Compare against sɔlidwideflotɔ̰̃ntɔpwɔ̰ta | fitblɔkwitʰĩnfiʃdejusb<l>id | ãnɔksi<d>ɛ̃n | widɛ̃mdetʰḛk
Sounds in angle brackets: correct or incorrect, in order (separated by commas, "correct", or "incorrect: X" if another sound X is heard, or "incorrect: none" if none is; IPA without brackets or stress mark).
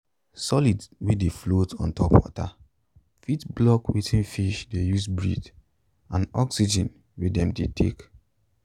incorrect: ɹ, incorrect: d͡ʒ